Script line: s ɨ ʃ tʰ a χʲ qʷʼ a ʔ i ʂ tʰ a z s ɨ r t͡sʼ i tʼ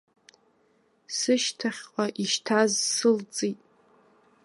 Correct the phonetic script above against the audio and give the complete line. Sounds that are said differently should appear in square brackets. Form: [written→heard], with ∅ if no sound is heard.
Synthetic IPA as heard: s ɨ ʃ tʰ a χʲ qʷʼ a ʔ i [ʂ→ʃ] tʰ a z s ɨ [r→l] t͡sʼ i tʼ